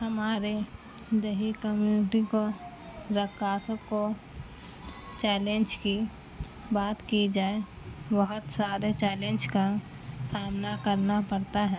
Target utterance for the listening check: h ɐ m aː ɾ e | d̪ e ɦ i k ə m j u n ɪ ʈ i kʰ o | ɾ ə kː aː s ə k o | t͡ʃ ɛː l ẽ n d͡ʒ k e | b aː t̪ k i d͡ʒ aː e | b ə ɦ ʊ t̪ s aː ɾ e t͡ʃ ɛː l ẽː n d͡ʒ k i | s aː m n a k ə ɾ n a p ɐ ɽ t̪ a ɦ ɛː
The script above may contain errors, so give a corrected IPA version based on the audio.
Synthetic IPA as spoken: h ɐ m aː ɾ e | d̪ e ɦ i k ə m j u n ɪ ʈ i k o | ɾ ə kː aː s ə k o | t͡ʃ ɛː l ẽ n d͡ʒ k i | b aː t̪ k i d͡ʒ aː e | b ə ɦ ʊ t̪ s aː ɾ e t͡ʃ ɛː l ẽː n d͡ʒ k a | s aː m n a k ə ɾ n a p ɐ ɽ t̪ a ɦ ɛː